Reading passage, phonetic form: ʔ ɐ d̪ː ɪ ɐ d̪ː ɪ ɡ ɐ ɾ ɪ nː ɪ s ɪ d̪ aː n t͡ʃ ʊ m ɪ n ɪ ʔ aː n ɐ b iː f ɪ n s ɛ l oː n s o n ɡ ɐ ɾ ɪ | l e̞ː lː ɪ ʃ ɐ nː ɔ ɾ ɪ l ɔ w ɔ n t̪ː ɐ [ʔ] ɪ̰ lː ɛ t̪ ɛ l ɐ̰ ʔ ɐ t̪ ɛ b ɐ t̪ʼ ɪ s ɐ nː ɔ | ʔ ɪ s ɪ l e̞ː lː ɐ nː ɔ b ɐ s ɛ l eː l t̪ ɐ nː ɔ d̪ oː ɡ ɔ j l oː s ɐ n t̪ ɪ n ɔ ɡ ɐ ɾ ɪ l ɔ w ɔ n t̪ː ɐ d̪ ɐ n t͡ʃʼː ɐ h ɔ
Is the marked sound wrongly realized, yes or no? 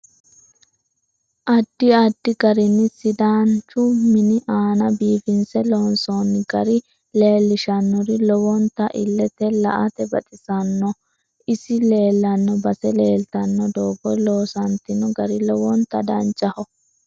no